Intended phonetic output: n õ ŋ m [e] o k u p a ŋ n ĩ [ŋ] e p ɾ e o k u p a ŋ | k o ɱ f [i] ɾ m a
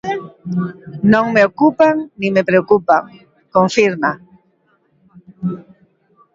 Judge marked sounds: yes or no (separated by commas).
yes, no, yes